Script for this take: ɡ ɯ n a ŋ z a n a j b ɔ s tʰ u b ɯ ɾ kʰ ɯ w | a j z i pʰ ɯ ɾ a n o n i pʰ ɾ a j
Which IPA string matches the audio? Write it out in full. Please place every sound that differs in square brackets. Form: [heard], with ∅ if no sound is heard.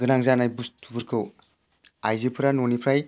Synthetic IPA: ɡ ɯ n a ŋ z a n a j b [u] s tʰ u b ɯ ɾ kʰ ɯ w | a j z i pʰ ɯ ɾ a n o n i pʰ ɾ a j